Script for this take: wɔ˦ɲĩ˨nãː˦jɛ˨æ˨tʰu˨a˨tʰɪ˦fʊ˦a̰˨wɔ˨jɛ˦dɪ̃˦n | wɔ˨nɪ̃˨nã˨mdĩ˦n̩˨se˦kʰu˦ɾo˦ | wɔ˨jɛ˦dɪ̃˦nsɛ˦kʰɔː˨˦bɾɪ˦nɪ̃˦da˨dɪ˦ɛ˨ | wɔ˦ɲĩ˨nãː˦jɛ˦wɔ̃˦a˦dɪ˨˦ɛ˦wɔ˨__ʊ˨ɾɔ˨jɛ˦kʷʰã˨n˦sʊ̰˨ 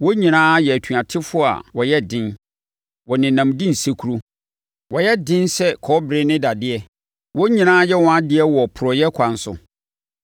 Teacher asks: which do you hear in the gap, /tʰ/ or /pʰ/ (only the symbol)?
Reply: pʰ